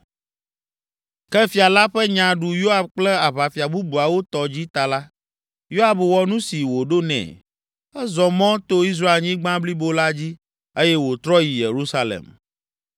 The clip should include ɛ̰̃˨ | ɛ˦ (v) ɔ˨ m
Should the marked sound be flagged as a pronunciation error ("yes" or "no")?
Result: yes